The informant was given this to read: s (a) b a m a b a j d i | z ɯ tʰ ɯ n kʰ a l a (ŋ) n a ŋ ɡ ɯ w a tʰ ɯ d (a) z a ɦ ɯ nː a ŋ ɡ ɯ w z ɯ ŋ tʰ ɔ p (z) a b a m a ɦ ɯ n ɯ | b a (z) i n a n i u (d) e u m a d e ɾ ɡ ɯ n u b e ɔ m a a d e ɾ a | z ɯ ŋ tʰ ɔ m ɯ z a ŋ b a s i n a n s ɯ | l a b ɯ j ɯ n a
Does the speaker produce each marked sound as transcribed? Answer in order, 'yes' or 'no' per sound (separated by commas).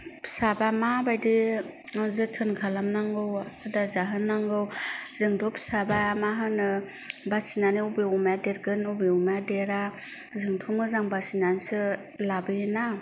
yes, no, yes, no, no, no